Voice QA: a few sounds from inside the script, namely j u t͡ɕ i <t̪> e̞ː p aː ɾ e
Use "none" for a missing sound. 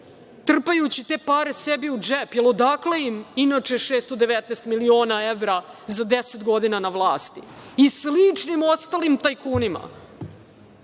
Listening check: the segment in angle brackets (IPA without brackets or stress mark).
t̪